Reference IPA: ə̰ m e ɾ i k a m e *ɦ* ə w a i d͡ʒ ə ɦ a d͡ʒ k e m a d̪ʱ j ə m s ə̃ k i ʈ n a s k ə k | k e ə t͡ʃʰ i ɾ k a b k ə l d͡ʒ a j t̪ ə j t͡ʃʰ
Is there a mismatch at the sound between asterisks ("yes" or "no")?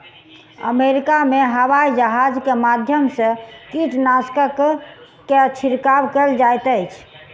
no